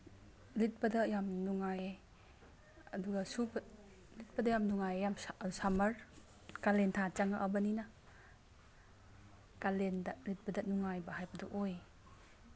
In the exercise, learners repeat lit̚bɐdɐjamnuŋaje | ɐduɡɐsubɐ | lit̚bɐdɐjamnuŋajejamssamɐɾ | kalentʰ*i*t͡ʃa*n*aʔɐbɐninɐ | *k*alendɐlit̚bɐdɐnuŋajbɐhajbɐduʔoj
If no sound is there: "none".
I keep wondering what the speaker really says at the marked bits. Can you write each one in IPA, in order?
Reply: a, ŋ, k

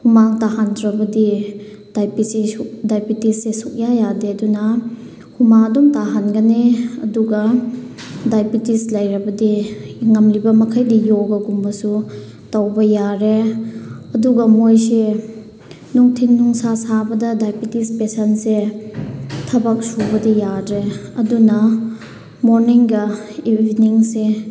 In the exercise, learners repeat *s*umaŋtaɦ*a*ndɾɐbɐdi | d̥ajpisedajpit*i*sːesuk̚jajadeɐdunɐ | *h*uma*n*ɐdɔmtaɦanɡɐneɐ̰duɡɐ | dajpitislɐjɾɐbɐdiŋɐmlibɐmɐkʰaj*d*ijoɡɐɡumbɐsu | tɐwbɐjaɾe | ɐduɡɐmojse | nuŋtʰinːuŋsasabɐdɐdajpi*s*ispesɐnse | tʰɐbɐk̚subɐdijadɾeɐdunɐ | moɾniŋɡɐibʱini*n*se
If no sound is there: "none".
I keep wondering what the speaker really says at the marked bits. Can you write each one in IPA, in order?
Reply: h, a, i, h, ŋ, d, t, ŋ

